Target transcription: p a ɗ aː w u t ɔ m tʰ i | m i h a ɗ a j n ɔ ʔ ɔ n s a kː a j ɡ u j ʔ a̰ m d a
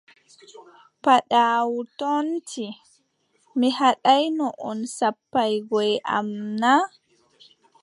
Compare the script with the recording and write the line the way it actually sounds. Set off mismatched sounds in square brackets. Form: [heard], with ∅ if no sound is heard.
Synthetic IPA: p a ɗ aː w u t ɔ [n] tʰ i | m i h a ɗ a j n ɔ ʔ ɔ n s a [pː] a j ɡ [ɔ] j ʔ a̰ m [n] a